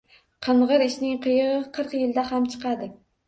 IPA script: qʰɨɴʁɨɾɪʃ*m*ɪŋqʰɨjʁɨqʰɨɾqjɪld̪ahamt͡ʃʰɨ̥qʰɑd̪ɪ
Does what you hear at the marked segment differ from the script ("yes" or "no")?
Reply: yes